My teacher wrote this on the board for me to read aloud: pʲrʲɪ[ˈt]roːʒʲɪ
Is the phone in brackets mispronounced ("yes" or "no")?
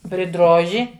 yes